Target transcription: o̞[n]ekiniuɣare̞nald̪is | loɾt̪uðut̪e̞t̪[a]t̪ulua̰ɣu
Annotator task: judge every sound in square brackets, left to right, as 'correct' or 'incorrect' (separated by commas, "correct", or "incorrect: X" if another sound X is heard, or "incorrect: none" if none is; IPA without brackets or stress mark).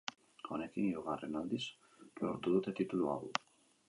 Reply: correct, incorrect: i